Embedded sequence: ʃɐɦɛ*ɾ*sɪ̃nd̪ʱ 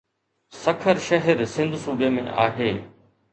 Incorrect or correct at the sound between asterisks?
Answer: correct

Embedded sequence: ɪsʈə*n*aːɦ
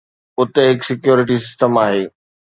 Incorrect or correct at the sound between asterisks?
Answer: incorrect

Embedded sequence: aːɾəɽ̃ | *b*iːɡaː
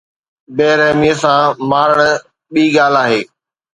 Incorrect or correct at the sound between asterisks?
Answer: incorrect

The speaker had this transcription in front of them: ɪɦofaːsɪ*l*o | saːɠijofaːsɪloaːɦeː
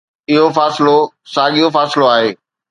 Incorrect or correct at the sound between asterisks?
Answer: correct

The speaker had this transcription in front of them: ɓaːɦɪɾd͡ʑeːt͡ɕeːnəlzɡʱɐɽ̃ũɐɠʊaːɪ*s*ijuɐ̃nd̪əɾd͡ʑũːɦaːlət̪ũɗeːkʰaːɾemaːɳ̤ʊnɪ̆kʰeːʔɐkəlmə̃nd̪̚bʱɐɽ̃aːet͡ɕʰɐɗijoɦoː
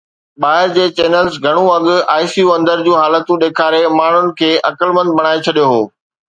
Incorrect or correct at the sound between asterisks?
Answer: correct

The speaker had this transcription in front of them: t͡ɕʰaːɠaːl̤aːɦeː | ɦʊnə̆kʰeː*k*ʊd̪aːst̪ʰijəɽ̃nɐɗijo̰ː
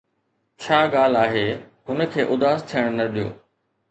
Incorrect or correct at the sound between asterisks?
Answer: incorrect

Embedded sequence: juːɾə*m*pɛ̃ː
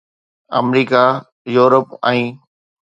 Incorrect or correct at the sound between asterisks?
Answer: incorrect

